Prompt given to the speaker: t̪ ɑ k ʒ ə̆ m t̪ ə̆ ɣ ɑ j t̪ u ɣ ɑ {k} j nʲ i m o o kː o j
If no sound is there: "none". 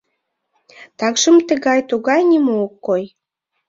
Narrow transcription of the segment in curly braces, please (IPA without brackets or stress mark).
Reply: none